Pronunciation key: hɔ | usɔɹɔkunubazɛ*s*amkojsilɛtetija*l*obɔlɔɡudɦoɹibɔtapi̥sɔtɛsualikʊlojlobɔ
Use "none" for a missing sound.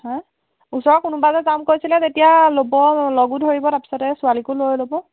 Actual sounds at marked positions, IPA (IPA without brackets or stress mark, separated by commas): z, l